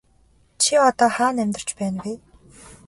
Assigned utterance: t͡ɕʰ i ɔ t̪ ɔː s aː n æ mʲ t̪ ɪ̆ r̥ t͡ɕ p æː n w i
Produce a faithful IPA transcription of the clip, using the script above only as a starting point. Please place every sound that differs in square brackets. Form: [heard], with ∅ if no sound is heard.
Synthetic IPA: t͡ɕʰ i ɔ t̪ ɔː [χ] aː n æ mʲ t̪ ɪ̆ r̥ t͡ɕ p æː n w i